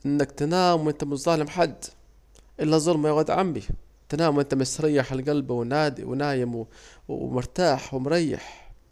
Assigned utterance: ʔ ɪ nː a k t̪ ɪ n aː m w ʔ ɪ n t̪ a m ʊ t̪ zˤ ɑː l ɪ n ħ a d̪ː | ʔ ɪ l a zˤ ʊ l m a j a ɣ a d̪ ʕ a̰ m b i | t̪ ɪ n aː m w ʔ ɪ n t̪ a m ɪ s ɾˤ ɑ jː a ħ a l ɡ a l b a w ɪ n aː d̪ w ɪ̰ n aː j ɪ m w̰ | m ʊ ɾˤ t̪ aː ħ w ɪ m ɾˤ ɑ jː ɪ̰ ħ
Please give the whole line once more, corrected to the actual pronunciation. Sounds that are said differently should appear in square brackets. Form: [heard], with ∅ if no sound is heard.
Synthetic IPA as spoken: ʔ ɪ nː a k t̪ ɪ n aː m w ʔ ɪ n t̪ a m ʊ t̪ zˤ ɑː l ɪ [m] ħ a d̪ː | ʔ ɪ [lː] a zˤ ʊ l m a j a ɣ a d̪ ʕ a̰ m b i | t̪ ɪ n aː m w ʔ ɪ n t̪ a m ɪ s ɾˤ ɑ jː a ħ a l ɡ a l b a w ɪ n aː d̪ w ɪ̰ n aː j ɪ m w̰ | m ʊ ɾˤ t̪ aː ħ w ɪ m ɾˤ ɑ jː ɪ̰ ħ